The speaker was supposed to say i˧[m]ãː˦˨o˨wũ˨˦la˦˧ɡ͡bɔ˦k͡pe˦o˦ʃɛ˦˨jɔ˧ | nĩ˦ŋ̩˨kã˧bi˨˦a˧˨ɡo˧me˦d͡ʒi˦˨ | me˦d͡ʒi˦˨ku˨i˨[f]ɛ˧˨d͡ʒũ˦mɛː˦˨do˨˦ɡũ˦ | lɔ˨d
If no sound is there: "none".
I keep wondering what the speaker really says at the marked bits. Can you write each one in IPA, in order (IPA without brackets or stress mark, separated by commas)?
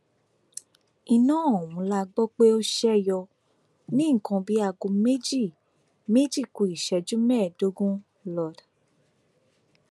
n, ʃ